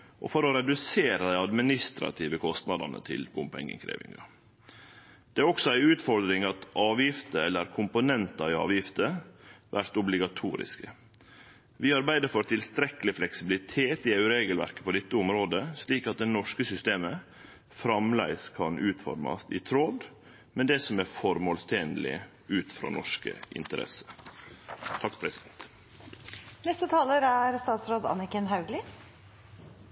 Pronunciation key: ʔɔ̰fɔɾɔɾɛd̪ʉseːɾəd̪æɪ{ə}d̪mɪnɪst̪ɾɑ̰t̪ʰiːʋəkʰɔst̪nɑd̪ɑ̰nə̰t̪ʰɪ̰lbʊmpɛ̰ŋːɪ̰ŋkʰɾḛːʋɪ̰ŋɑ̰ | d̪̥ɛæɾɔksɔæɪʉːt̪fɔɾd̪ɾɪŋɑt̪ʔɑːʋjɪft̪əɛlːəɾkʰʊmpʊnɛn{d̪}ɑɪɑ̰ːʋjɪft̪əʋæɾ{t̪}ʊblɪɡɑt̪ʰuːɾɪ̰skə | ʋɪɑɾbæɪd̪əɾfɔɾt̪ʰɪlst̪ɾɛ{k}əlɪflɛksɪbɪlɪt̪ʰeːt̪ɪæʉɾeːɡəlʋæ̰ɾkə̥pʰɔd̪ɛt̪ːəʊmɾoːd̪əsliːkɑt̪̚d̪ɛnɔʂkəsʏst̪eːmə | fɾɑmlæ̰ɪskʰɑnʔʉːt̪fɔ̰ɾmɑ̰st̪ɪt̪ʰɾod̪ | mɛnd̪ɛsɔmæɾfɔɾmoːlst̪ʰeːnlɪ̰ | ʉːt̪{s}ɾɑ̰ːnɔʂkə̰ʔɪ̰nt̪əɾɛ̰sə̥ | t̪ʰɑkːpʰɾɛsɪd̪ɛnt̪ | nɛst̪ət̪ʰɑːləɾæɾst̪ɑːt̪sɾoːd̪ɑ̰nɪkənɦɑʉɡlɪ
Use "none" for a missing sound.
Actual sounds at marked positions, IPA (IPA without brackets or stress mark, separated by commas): ɑ, t̪, t̪, k, f